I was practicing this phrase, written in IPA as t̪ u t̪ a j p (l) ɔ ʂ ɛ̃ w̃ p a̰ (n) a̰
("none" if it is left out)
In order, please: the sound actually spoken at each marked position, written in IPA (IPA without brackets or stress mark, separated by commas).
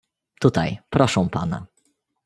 ɾ, n